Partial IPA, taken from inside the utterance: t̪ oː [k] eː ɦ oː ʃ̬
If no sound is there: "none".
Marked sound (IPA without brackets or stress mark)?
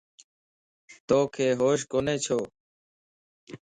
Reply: kʰ